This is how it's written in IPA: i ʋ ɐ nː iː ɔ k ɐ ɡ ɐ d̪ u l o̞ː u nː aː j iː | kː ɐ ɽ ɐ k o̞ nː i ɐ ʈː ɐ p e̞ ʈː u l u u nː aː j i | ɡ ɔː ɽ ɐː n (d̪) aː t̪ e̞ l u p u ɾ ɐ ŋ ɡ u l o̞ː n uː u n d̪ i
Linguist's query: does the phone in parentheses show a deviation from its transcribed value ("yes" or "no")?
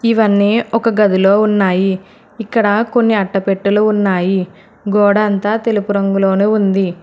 yes